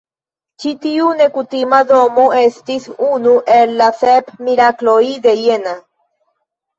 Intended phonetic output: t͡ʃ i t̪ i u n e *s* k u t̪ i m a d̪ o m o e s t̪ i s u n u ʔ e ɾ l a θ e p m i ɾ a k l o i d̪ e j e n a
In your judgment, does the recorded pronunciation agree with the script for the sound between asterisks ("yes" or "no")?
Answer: no